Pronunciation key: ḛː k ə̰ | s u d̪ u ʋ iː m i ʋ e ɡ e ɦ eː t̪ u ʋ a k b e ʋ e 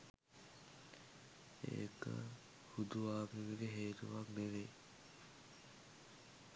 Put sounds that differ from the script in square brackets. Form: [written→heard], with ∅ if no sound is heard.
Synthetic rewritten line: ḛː k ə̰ | [s→h] u d̪ u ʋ [iː→aː] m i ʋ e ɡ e ɦ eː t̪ u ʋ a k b e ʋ e

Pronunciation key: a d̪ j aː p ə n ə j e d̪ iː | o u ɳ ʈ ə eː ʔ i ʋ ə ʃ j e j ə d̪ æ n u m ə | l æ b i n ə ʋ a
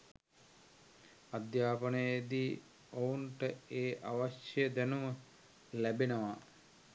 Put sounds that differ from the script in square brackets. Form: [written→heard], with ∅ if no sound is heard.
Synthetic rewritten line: a d̪ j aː p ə n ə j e d̪ iː | o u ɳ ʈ ə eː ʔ [i→a] ʋ [ə→a] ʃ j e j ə d̪ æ n u m ə | l æ b [i→e] n ə ʋ a

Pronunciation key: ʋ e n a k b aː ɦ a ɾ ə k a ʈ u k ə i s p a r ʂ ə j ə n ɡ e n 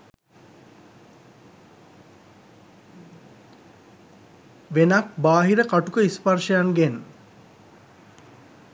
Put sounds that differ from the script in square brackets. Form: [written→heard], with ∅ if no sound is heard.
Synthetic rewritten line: ʋ e n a k b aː ɦ [a→i] ɾ ə k a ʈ u k ə i s p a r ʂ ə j [ə→a] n ɡ e n

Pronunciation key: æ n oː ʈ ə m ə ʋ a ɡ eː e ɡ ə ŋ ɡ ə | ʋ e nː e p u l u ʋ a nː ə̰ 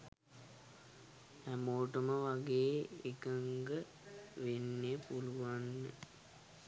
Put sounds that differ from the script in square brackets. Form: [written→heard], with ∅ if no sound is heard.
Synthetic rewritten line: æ [n→m] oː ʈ ə m ə ʋ a ɡ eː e [ɡ→k] ə ŋ ɡ ə | ʋ e nː e p u l u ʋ a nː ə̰

